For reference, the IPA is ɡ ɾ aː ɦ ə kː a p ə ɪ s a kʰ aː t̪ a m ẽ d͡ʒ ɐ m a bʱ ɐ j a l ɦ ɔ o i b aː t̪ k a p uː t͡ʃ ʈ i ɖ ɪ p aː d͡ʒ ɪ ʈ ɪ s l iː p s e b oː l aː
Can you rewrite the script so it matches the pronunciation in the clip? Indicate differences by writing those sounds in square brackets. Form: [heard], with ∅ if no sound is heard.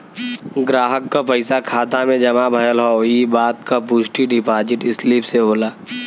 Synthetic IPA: ɡ ɾ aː ɦ ə kː a p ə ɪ s a kʰ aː t̪ a m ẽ d͡ʒ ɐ m a bʱ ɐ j [ə] l ɦ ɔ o i b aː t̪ k a p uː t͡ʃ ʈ i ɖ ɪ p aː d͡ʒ ɪ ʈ ɪ s l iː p s e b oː l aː